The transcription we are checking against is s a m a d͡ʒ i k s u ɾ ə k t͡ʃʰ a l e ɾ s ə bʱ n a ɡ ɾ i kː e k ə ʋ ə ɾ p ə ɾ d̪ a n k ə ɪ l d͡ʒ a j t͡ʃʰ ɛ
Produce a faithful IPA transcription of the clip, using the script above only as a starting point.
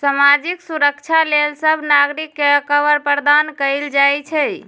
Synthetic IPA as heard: s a m a d͡ʒ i k s u ɾ ə k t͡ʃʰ a l e l s ə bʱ n a ɡ ɾ i kː e k ə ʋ ə ɾ p ə ɾ d̪ a n k ə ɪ l d͡ʒ a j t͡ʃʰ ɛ